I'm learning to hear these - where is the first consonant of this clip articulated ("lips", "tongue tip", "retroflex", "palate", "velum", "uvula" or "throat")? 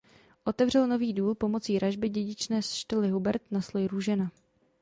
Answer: throat